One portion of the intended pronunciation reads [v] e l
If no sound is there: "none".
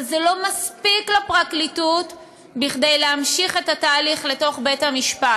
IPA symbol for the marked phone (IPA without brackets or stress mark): z